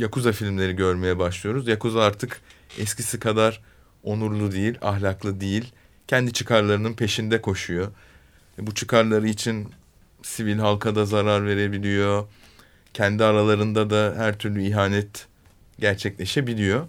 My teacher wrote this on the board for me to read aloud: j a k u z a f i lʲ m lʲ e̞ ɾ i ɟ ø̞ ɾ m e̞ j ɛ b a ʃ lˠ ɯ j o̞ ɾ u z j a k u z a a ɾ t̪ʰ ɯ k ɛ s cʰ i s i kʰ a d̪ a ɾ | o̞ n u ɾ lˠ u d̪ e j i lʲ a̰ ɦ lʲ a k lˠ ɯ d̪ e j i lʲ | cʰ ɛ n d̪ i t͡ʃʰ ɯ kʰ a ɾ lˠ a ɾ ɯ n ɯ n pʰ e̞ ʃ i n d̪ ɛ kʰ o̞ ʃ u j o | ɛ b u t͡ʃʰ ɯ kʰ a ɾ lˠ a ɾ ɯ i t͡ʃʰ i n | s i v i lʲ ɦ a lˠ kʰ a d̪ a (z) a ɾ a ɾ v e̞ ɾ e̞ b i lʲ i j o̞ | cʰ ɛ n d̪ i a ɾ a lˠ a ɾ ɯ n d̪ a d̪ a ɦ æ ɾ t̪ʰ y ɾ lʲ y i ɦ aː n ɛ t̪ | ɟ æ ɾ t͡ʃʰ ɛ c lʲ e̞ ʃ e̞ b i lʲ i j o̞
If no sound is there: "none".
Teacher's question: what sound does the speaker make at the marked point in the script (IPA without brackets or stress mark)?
z